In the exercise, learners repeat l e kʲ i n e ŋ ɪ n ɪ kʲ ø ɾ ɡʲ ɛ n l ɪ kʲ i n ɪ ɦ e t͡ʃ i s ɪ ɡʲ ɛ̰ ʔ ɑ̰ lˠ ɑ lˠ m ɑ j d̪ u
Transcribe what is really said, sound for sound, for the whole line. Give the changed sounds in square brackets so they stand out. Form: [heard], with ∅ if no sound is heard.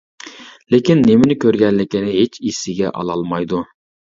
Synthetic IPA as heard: l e kʲ i [nː] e [m] ɪ n ɪ kʲ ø ɾ ɡʲ ɛ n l ɪ kʲ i n ɪ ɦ e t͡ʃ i s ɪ ɡʲ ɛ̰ ʔ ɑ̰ lˠ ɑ lˠ m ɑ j d̪ u